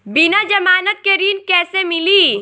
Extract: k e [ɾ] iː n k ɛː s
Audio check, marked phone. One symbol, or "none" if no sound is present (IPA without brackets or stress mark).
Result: ɾ